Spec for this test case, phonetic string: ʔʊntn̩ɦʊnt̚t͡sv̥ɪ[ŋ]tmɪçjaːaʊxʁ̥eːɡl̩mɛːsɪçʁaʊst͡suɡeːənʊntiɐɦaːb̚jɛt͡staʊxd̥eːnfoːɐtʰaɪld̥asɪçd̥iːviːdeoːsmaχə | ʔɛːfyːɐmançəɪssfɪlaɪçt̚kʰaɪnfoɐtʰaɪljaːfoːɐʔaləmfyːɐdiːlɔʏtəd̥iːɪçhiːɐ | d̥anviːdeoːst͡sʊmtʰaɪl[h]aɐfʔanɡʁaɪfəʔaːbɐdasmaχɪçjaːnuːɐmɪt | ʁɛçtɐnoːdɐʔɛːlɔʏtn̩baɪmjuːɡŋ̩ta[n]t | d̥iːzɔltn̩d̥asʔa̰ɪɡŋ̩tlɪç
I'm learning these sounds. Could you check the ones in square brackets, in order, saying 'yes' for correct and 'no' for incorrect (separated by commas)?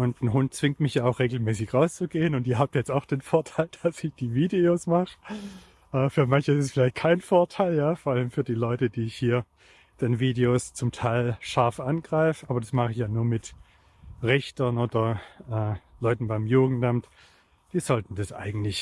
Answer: yes, no, no